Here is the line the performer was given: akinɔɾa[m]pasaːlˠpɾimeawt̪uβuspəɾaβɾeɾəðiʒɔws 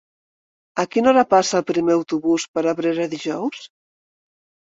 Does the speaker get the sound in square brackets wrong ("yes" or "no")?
yes